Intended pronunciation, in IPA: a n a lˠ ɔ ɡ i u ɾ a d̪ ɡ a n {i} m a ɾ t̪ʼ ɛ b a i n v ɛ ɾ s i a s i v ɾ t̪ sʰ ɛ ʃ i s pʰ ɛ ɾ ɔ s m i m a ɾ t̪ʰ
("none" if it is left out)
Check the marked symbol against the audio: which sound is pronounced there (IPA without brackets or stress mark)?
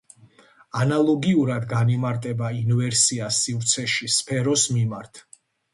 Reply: i